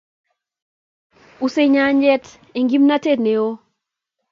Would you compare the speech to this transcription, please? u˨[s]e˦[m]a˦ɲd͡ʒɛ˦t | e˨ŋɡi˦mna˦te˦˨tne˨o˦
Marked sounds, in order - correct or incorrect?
correct, incorrect: ɲ

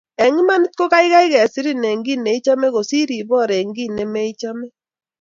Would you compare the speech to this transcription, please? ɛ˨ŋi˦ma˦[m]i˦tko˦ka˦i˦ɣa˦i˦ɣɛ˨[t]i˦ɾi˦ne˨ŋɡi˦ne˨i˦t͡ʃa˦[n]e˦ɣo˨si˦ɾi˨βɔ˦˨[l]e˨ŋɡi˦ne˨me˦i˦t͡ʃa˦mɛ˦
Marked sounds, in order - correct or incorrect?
incorrect: n, incorrect: s, incorrect: m, incorrect: ɾ

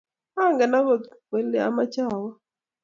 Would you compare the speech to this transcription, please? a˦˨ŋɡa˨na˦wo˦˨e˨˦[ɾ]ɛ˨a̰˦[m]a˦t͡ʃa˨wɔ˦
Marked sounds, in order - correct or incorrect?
incorrect: l, correct

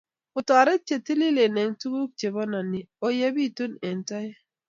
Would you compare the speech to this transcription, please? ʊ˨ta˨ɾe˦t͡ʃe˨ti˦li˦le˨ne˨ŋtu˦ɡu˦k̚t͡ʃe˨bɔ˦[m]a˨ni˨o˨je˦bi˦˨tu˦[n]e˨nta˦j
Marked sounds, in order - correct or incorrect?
incorrect: n, correct

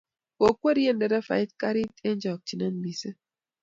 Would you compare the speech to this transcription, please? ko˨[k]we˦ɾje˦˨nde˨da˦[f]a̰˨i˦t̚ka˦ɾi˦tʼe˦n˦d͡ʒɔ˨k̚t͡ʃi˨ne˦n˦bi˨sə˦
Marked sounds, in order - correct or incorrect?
correct, correct

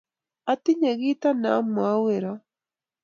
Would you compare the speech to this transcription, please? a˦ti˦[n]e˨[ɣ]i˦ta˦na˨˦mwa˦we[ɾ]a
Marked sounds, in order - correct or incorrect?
incorrect: ɲ, correct, correct

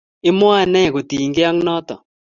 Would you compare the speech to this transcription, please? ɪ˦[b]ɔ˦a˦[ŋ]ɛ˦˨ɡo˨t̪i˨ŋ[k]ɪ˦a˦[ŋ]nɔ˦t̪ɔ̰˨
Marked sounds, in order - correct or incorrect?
incorrect: m, incorrect: n, incorrect: ɡ, correct

